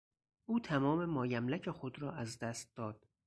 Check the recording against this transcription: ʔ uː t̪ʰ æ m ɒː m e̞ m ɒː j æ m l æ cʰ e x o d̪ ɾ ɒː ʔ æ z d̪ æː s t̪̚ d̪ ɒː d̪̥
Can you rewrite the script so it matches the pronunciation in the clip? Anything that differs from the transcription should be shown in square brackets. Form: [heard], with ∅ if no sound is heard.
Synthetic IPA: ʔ uː t̪ʰ æ m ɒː m e̞ m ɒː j æ m l æ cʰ e x o d̪ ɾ ɒː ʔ æ z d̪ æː s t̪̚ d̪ ɒː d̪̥